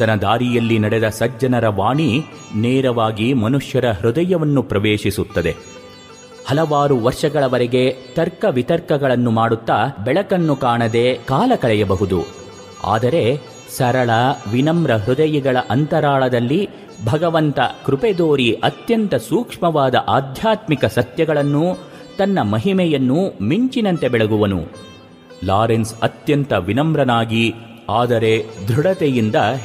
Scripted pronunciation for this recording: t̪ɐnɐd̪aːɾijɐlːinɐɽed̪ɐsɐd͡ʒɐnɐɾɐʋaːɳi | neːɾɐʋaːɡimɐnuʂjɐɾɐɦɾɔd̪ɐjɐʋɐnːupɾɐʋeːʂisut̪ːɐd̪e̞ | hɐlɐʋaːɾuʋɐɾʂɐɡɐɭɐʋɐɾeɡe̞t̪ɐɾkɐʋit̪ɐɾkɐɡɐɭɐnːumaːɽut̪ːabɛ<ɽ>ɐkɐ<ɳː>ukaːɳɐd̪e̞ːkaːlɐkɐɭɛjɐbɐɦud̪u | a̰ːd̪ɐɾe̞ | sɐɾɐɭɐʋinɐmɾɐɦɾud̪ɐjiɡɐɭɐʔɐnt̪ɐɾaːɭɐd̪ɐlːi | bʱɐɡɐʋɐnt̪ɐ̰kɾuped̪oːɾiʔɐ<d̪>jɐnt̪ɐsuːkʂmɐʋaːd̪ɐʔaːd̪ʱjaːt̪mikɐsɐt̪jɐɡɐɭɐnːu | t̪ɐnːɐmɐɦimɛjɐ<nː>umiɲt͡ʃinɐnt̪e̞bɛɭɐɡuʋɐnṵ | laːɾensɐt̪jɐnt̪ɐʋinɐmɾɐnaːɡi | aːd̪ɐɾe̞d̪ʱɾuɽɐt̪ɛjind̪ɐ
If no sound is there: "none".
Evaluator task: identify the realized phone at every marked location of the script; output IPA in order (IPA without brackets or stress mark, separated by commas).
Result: ɭ, nː, t̪, nː